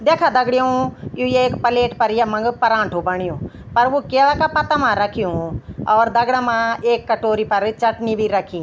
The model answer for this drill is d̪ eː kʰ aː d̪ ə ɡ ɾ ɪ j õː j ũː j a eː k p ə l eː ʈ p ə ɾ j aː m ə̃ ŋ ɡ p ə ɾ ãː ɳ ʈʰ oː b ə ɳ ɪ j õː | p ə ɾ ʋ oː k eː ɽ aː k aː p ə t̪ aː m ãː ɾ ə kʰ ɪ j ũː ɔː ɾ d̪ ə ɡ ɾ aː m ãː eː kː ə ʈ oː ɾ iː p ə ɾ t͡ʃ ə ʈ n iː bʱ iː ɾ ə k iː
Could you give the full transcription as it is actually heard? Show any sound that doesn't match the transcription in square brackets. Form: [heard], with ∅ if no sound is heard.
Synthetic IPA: d̪ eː kʰ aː d̪ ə ɡ [ɽ] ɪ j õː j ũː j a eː k p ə l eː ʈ p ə ɾ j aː m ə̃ ŋ ɡ p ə ɾ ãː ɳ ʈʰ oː b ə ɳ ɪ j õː | p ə ɾ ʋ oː k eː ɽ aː k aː p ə t̪ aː m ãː ɾ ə kʰ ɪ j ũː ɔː ɾ d̪ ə ɡ [ɽ] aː m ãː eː kː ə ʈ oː ɾ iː p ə ɾ t͡ʃ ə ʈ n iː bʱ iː ɾ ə [kʰ] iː